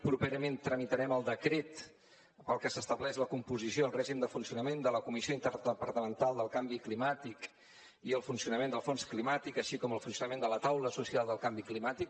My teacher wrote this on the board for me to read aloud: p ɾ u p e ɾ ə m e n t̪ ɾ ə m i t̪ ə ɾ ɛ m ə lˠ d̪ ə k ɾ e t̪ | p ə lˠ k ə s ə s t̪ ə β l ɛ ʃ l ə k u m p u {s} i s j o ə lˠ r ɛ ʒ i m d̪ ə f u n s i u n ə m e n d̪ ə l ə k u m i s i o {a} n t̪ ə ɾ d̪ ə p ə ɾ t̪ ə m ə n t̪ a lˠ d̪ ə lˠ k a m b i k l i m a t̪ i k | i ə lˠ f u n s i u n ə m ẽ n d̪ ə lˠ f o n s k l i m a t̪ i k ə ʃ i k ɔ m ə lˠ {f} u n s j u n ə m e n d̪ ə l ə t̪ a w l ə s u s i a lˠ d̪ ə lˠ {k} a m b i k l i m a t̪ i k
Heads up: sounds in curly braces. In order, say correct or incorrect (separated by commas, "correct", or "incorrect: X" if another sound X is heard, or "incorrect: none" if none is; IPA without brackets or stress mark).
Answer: incorrect: z, incorrect: i, correct, correct